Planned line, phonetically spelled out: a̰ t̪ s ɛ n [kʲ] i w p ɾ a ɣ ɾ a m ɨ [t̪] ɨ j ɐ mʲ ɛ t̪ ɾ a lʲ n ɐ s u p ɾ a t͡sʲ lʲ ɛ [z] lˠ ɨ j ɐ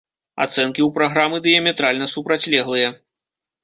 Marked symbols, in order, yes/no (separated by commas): yes, no, no